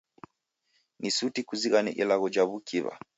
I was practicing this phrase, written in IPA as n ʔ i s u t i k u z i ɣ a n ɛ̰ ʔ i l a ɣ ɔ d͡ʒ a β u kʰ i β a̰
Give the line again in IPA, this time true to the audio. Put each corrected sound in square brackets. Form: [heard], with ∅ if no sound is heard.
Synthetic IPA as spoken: n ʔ i s u t i k u z i ɣ a n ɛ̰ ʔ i l a ɣ ɔ d͡ʒ a β u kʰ i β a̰

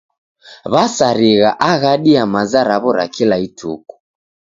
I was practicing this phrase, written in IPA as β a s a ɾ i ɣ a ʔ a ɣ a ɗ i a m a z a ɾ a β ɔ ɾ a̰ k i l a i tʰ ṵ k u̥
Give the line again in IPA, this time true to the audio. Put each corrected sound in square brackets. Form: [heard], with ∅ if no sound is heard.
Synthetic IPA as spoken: β a s a ɾ i ɣ a ʔ a ɣ a ɗ i a m a z a ɾ a β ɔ ɾ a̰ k i l a i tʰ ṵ k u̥

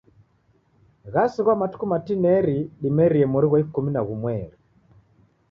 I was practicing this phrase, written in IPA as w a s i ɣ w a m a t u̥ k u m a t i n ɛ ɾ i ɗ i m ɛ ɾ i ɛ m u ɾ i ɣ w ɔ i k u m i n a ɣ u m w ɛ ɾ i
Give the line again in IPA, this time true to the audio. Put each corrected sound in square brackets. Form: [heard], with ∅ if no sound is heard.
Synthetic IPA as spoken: [ɣ] a s i ɣ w a m a t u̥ k u m a t i n ɛ ɾ i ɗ i m ɛ ɾ i ɛ m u ɾ i ɣ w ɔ i k u m i n a ɣ u m w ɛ ɾ i

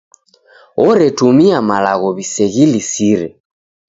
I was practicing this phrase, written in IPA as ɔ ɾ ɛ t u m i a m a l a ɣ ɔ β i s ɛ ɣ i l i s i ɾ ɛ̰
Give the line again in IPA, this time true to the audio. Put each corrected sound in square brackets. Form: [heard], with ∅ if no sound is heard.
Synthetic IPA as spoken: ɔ ɾ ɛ t u m i a m a l a ɣ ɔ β i s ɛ ɣ i l i s i ɾ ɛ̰

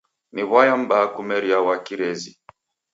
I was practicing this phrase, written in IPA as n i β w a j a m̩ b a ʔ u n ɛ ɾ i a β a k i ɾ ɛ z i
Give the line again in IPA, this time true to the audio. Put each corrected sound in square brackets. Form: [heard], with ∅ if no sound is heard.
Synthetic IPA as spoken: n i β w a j a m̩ b a [k] u [m] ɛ ɾ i a [w] a k i ɾ ɛ z i

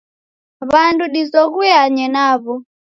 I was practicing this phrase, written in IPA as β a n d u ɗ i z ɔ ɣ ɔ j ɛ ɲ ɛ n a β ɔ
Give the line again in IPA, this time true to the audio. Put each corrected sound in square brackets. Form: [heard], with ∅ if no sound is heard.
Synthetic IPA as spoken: β a n d u ɗ i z ɔ ɣ [u] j [a] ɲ ɛ n a β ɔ

